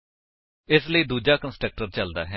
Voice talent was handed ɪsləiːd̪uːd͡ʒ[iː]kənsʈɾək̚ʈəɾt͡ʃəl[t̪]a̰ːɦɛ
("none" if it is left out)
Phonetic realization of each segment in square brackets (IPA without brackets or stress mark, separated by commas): aː, d̪